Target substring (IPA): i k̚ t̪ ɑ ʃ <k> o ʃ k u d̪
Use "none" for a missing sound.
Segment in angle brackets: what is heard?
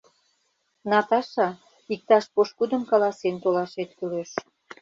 p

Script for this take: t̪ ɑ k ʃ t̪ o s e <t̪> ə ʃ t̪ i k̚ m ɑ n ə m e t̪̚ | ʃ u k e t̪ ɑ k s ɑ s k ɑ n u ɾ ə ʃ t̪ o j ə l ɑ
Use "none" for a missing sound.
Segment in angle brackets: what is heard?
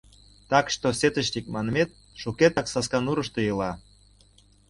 t̪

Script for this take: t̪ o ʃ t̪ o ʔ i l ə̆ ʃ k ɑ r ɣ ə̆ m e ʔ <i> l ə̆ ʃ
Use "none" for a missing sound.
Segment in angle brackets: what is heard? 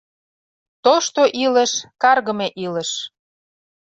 i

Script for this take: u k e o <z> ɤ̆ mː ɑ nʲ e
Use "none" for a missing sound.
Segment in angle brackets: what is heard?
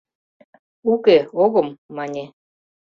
ɣ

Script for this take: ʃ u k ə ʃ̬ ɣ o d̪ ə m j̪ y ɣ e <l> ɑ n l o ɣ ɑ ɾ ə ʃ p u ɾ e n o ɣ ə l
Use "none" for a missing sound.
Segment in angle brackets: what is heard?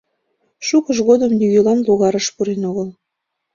l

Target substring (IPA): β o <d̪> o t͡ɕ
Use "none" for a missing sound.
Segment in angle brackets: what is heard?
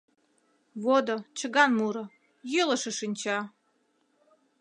d̪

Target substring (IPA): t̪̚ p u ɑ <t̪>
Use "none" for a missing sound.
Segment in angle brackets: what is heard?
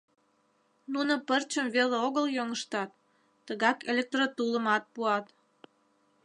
t̪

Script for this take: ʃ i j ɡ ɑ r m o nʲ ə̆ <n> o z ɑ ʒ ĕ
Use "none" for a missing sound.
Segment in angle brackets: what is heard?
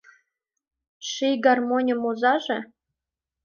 m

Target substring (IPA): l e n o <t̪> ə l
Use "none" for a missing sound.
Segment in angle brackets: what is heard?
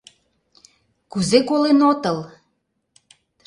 t̪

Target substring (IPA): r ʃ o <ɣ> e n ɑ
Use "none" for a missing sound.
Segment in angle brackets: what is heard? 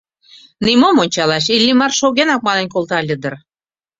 ɣ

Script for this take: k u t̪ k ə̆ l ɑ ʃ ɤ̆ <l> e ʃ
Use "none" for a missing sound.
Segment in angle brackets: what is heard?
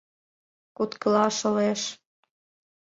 l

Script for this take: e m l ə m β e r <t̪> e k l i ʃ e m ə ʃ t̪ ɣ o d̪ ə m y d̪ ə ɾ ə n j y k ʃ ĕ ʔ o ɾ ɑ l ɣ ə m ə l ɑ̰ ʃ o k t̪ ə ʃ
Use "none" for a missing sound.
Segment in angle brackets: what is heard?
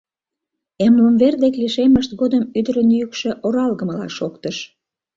d̪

